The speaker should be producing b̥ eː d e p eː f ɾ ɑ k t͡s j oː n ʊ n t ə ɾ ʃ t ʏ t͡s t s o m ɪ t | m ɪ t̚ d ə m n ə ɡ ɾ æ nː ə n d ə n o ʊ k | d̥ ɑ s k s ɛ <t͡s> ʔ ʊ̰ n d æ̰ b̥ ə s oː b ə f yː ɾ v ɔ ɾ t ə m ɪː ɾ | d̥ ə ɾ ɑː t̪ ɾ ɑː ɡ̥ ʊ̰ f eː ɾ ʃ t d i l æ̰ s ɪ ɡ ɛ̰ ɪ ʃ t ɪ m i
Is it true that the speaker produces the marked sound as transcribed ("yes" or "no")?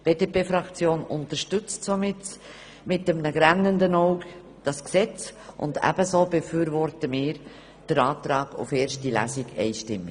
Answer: yes